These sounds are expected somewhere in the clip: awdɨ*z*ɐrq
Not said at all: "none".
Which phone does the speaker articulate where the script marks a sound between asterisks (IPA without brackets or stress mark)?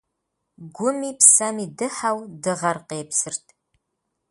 ʁ